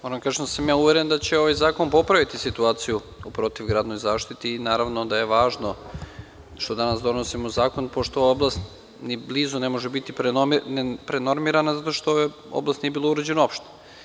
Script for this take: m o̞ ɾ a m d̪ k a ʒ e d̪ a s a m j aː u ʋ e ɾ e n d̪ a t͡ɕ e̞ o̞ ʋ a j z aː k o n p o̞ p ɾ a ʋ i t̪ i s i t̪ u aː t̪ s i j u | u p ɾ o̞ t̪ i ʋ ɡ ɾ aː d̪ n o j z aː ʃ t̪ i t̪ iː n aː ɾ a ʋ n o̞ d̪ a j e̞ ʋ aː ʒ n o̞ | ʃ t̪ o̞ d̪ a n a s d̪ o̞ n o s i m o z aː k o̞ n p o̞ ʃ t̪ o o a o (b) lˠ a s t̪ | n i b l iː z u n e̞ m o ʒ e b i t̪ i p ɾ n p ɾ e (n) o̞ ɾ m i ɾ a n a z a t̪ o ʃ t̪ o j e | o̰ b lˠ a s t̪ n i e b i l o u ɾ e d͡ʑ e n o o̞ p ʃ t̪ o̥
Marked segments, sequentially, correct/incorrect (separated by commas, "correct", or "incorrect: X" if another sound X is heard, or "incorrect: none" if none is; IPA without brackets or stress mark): correct, correct